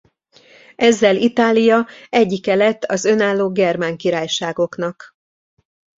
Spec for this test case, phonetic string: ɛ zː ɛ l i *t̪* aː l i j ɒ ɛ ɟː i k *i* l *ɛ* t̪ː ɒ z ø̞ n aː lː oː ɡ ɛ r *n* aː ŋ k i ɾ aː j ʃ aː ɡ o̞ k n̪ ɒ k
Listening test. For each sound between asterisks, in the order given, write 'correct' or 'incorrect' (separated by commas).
correct, incorrect, correct, incorrect